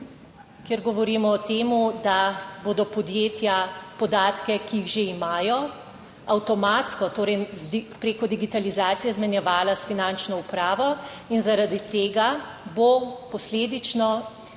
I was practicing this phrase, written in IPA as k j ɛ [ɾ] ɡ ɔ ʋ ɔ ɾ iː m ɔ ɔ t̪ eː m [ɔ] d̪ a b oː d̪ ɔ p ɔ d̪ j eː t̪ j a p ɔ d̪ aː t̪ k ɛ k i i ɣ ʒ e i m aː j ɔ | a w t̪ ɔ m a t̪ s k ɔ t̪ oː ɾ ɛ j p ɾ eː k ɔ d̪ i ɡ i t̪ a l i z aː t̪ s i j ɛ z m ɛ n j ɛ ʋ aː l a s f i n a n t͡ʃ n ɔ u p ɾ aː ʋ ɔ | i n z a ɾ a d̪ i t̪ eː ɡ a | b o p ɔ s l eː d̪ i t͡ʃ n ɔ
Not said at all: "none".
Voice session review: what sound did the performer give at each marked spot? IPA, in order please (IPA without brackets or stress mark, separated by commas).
ɾ, u